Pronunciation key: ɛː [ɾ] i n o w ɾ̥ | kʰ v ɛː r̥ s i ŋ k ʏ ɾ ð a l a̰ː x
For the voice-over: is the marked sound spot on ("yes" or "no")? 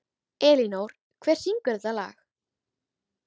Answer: no